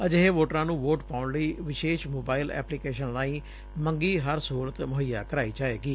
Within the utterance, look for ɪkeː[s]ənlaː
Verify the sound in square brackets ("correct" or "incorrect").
incorrect